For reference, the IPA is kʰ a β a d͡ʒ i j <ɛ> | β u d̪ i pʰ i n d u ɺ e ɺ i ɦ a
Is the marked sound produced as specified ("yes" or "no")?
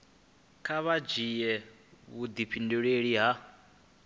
yes